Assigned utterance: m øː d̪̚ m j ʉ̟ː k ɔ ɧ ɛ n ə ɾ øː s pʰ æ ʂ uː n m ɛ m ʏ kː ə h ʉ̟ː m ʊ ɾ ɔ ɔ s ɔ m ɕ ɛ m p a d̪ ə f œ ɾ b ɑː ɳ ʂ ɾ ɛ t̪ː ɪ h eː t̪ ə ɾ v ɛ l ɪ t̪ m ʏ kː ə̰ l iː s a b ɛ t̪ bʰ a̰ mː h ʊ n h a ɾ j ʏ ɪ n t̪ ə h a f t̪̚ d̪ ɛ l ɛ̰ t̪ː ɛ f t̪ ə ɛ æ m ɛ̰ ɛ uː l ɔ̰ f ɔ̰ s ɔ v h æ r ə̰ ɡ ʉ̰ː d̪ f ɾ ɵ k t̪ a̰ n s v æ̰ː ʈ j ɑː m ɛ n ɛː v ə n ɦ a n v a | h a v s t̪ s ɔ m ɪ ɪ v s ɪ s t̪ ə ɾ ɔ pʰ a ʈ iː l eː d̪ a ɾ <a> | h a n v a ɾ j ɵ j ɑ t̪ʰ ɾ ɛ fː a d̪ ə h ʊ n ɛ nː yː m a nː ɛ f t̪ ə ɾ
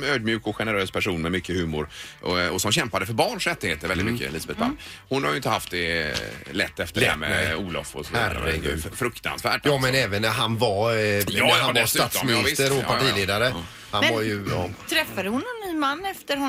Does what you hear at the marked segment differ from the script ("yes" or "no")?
yes